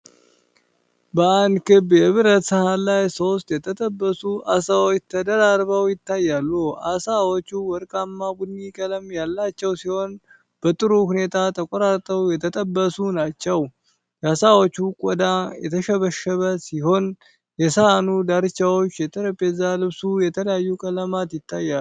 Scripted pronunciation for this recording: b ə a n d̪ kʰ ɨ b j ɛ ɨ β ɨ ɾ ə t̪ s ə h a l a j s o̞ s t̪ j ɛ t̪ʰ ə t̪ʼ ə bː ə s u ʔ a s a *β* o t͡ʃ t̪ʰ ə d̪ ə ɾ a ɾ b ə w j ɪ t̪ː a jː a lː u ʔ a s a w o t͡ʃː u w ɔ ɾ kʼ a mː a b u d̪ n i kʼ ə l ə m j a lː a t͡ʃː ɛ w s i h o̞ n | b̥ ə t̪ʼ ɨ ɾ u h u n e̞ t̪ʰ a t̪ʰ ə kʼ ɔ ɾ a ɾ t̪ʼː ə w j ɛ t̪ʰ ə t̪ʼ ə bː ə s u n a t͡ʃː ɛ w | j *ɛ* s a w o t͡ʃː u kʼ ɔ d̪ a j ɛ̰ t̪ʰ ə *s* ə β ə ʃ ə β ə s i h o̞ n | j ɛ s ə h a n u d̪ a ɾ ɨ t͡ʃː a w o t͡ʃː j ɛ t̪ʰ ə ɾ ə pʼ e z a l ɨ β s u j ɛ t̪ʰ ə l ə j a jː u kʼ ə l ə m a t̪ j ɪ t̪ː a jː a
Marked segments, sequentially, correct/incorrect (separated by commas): incorrect, incorrect, incorrect